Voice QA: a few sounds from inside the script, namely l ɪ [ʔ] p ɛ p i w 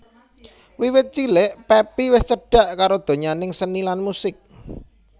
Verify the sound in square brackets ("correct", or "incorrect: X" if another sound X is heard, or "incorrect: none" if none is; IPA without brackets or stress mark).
correct